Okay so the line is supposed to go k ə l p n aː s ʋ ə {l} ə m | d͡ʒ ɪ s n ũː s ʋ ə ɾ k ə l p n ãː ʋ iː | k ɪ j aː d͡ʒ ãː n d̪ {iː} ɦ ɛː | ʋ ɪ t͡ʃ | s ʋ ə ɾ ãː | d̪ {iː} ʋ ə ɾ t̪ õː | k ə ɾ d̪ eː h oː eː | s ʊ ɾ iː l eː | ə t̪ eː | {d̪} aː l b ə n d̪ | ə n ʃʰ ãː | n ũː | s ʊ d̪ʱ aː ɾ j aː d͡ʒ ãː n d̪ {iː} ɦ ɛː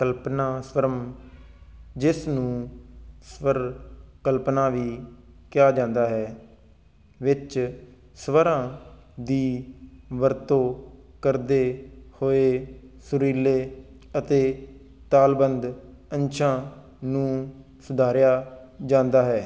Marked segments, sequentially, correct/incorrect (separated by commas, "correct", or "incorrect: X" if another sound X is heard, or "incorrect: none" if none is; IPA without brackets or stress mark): incorrect: ɾ, incorrect: aː, correct, incorrect: t̪, incorrect: aː